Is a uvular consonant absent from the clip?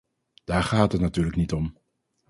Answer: no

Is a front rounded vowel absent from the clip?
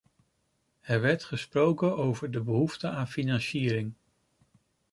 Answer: yes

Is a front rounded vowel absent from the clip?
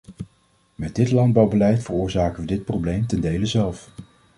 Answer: yes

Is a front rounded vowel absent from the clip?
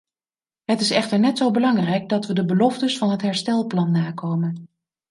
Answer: yes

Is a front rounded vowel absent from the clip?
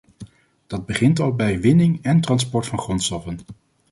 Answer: yes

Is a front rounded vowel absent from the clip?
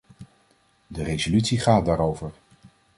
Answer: no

